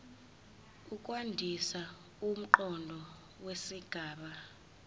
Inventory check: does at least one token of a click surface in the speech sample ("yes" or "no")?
yes